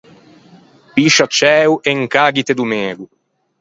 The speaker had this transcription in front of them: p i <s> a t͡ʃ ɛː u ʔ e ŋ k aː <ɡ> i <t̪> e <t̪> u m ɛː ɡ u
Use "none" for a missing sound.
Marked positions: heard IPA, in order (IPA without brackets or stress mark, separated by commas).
ʃ, ɡ, t̪, d̪